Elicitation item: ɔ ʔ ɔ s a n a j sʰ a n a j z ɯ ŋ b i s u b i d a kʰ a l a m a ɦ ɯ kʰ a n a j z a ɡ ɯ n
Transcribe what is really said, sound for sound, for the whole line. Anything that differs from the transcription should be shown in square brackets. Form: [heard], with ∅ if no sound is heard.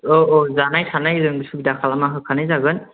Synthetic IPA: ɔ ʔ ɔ [z] a n a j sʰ a n a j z ɯ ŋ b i s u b i d a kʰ a l a m a ɦ ɯ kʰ a n a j z a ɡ ɯ n